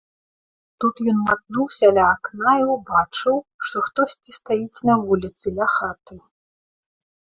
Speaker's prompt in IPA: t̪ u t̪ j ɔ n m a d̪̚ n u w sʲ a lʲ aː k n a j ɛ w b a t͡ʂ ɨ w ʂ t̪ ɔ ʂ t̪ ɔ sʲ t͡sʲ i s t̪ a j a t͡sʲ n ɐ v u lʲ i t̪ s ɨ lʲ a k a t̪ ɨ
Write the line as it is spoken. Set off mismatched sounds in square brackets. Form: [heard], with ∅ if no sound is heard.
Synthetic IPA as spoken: t̪ u t̪ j ɔ n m a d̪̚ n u w sʲ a lʲ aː k n a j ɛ w b a t͡ʂ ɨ w ʂ t̪ ɔ [x] t̪ ɔ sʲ t͡sʲ i s t̪ a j [i] t͡sʲ n ɐ v u lʲ i t̪ s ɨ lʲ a [x] a t̪ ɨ